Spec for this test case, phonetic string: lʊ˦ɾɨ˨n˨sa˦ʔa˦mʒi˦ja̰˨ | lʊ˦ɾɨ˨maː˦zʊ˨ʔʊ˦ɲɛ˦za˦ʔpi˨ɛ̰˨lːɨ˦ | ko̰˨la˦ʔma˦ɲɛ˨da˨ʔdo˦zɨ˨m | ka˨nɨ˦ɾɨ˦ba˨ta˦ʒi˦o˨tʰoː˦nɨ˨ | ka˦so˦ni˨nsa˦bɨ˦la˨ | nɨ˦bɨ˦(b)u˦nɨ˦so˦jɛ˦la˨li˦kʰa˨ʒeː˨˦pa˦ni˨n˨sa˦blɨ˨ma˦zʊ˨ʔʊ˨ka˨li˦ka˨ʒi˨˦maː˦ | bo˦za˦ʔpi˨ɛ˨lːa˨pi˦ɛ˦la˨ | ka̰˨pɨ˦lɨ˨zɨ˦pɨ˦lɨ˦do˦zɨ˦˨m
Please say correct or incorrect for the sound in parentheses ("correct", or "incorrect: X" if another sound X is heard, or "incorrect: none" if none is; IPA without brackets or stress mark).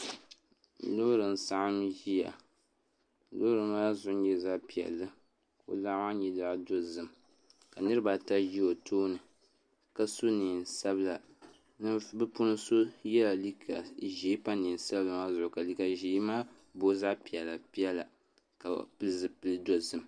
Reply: incorrect: p